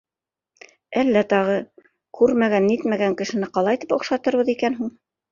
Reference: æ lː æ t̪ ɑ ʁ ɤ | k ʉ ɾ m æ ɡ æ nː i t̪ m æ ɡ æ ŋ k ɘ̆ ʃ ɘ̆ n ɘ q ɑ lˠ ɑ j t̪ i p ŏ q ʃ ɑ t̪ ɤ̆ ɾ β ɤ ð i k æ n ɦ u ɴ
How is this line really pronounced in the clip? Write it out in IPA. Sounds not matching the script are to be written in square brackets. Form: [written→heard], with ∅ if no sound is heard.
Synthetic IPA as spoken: æ lː æ t̪ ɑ ʁ ɤ | k ʉ ɾ m æ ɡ æ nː i t̪ m æ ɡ æ ŋ k ɘ̆ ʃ ɘ̆ n ɘ q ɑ lˠ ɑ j t̪ i p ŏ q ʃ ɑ t̪ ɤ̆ ɾ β ɤ ð i k æ n ɦ u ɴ